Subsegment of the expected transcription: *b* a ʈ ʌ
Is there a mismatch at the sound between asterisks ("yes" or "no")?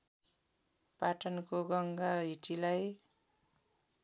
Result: yes